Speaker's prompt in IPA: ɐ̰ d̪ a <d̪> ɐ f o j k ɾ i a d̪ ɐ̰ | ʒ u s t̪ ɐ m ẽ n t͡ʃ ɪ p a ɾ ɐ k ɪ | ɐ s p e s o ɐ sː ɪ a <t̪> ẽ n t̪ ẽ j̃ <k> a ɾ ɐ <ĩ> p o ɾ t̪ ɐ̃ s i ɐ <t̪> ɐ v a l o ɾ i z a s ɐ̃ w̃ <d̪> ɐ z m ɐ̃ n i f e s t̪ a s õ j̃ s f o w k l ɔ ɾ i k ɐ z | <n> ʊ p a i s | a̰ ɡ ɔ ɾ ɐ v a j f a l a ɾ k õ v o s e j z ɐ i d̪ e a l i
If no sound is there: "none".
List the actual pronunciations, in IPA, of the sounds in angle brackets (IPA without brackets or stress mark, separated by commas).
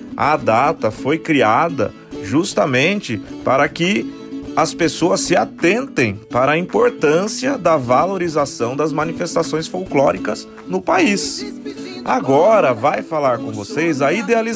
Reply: t̪, t̪, p, ĩ, d̪, d̪, n